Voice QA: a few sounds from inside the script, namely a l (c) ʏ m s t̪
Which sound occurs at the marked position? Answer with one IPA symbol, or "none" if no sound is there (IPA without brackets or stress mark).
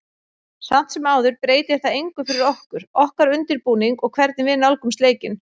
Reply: k